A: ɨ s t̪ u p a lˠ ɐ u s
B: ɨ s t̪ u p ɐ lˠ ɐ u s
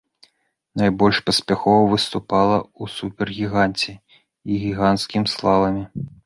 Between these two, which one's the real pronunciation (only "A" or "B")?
A